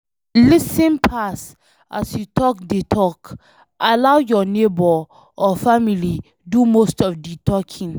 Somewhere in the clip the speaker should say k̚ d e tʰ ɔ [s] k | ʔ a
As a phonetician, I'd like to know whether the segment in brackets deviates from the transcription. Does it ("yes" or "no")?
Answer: yes